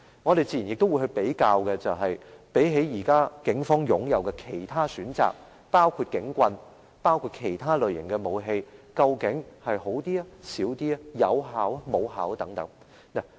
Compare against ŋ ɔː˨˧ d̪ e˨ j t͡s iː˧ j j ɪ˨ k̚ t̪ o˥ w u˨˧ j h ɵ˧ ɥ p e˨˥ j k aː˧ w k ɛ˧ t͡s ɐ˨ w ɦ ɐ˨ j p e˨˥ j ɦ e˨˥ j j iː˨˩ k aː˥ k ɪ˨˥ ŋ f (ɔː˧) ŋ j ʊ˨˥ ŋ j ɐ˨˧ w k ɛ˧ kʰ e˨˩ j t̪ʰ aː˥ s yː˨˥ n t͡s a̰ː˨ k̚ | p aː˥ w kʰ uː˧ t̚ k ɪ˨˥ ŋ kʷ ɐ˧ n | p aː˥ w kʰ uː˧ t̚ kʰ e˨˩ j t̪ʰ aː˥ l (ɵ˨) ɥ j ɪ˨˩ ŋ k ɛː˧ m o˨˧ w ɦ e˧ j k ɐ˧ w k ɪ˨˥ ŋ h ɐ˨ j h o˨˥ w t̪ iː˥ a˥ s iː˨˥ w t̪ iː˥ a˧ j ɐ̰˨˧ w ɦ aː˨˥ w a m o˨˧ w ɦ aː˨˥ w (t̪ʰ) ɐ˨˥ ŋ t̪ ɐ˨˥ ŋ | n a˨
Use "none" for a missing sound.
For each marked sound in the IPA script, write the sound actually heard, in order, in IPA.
ɔː˥, ɵ˨, t̪

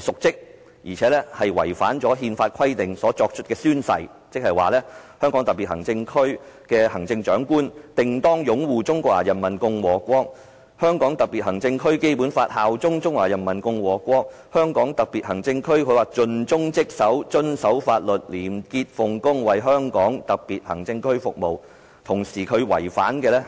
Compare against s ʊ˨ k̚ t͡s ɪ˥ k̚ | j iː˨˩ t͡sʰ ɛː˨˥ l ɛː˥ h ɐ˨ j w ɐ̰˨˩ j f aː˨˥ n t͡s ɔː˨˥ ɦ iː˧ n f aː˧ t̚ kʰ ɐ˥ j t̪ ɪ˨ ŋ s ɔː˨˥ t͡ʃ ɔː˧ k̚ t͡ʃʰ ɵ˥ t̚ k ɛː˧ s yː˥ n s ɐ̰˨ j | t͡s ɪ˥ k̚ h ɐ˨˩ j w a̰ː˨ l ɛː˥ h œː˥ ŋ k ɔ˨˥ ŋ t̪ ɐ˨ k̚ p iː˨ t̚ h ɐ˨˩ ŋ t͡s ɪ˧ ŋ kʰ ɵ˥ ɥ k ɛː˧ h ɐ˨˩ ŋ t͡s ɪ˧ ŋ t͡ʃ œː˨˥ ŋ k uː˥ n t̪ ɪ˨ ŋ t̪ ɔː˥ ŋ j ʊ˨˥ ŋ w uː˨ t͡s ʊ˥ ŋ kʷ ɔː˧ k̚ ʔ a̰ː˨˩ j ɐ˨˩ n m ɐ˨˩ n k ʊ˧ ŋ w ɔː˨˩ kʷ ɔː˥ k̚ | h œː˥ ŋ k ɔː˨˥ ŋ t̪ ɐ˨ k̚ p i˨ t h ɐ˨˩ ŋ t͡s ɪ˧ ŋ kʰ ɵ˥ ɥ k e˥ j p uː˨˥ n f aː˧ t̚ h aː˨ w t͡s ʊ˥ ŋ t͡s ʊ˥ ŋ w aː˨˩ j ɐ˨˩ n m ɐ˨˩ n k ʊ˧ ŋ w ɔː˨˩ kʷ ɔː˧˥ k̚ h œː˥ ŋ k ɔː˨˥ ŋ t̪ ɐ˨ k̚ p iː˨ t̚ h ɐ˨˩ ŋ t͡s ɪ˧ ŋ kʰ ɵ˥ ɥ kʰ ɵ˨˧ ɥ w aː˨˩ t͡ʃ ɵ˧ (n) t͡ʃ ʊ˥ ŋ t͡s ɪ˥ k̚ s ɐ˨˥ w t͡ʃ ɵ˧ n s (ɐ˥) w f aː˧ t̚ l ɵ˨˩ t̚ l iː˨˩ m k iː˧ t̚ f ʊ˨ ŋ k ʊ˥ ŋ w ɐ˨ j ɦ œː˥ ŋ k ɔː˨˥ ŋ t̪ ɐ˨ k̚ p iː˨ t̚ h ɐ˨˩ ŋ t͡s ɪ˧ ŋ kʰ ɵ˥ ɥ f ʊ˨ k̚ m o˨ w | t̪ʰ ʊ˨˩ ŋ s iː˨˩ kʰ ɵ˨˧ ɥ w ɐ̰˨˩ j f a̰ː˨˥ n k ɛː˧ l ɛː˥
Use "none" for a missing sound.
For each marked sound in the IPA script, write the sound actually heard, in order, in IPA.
n, ɐ˨˥

